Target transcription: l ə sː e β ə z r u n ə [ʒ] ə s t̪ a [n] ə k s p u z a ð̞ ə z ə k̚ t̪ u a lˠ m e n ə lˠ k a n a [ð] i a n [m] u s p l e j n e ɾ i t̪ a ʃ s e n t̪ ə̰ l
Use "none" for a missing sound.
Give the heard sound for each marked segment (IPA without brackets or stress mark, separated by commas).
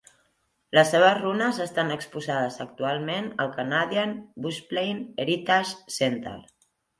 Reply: z, n, ð, b